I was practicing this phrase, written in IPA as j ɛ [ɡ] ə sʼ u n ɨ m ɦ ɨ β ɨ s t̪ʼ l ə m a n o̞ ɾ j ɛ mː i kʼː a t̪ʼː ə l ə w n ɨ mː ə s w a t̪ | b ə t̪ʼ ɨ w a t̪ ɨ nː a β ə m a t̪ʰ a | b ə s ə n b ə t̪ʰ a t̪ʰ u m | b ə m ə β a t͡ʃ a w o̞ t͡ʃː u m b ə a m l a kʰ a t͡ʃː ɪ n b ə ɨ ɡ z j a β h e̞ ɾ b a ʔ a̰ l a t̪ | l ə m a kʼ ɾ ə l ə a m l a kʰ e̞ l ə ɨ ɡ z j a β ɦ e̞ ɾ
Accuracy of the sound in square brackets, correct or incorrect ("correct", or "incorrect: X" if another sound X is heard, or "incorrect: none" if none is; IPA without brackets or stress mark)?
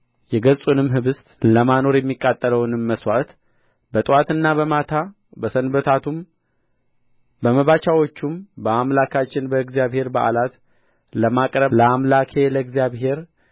correct